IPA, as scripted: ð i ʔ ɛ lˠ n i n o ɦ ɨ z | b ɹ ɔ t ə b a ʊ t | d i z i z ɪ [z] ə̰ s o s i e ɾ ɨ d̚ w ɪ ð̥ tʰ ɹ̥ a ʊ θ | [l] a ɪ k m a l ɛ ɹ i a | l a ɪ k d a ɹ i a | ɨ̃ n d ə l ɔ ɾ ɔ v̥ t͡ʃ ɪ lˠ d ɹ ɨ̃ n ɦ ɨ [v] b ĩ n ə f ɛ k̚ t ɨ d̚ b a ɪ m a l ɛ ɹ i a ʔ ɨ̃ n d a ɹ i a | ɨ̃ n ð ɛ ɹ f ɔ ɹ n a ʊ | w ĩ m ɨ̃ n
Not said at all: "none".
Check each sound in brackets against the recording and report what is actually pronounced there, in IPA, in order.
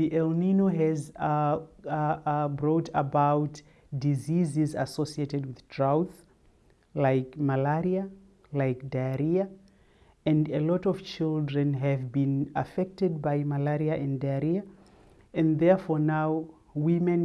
z, l, v

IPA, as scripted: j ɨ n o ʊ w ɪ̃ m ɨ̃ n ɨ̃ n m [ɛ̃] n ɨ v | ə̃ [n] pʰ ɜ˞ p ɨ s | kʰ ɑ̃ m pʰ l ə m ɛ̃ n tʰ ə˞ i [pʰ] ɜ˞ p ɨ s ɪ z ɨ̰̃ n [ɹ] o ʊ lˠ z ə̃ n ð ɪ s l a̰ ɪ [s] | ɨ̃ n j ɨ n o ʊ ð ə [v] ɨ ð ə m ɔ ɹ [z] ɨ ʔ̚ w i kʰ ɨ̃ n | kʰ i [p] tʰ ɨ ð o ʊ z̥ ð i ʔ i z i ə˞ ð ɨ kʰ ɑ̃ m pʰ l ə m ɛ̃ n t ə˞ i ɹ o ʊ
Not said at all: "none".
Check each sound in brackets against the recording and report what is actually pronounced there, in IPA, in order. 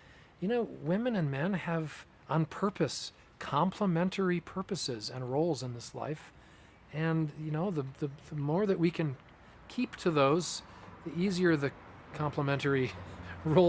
ɛ̃, n, pʰ, ɹ, f, ð, ð, p

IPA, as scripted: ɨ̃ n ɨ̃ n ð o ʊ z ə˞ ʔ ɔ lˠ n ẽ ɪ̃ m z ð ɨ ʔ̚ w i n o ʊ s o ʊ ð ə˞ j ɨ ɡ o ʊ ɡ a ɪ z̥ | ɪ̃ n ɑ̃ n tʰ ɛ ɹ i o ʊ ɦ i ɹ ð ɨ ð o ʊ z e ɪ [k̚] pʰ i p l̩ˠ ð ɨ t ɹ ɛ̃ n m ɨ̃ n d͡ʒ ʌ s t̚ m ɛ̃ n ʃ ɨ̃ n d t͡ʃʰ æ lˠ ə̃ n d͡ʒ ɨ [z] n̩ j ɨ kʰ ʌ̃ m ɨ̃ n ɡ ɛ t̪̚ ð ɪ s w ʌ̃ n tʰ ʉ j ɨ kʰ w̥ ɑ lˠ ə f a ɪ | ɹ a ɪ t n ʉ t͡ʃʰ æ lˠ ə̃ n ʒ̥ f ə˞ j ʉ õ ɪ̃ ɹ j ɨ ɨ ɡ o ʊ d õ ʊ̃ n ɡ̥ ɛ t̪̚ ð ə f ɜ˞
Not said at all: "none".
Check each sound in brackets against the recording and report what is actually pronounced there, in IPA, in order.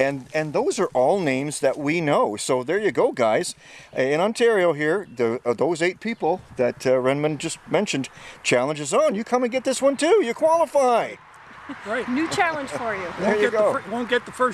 t̚, z

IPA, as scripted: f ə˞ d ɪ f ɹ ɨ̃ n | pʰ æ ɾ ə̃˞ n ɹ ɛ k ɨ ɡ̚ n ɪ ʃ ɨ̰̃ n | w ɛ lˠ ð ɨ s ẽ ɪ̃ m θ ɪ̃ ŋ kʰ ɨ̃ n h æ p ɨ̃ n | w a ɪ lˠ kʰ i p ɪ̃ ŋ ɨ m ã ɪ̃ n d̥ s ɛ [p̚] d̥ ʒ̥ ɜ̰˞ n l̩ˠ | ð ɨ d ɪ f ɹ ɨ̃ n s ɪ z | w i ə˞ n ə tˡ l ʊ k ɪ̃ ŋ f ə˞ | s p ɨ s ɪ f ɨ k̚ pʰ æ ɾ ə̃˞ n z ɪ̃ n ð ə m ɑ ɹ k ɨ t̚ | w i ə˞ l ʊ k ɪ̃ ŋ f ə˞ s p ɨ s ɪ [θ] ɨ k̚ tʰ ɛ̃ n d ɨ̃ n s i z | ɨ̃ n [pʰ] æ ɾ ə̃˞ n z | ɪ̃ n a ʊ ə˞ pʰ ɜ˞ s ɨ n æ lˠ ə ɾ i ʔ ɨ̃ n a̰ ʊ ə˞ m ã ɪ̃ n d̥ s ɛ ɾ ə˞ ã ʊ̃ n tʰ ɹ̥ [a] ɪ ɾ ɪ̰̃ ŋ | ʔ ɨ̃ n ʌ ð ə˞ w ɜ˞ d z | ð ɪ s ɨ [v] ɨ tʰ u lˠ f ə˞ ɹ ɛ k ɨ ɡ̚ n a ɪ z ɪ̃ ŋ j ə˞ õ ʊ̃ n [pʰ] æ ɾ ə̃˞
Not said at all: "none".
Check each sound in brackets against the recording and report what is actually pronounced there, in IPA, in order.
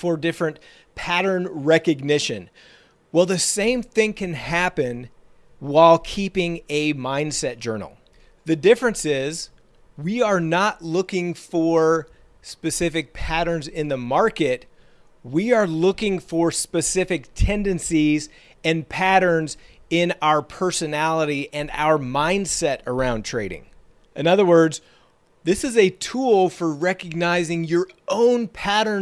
t̚, f, pʰ, e, z, pʰ

